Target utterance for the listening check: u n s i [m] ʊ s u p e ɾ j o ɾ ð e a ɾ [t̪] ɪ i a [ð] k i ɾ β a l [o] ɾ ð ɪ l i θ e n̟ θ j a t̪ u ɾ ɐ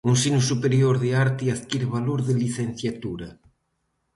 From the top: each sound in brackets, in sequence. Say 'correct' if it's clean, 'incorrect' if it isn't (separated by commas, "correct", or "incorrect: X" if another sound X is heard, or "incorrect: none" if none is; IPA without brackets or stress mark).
incorrect: n, correct, correct, correct